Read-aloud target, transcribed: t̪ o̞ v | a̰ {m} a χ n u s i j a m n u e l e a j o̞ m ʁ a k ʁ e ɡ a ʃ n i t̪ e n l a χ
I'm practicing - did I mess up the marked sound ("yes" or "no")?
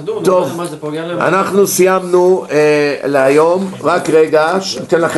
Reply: yes